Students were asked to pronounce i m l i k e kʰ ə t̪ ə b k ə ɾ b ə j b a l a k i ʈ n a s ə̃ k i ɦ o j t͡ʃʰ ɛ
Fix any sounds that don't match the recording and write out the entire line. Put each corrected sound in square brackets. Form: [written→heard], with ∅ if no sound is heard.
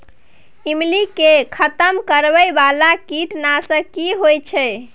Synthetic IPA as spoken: i m l i k e kʰ ə t̪ ə [b→m] k ə ɾ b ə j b a l a k i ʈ n a s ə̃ k i ɦ o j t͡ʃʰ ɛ